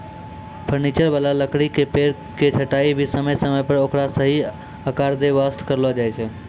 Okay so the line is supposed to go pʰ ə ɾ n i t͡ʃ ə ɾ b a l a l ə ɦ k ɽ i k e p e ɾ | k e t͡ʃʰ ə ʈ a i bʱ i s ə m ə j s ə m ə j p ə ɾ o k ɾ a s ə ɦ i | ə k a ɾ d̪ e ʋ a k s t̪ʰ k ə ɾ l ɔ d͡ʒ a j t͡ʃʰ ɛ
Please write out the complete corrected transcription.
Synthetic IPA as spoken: pʰ ə ɾ n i t͡ʃ ə ɾ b a l a l ə k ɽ i k e p e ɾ | k e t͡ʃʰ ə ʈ a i bʱ i s ə m ə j s ə m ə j p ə ɾ o k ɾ a s ə ɦ i | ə k a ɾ d̪ e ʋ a s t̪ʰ k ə ɾ l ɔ d͡ʒ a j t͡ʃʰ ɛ